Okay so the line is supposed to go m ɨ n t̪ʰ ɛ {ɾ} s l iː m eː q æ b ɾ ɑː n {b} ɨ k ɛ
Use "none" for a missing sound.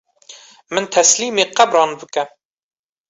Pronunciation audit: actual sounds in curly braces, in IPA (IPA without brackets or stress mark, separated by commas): none, b